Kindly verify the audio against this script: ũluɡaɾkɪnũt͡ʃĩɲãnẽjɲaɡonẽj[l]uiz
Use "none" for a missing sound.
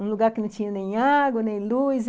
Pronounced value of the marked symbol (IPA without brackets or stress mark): l